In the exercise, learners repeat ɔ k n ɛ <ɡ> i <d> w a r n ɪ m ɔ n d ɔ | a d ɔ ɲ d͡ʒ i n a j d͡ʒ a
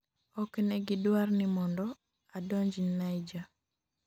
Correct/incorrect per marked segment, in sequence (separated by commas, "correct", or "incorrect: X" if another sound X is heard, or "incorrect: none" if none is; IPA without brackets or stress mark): correct, correct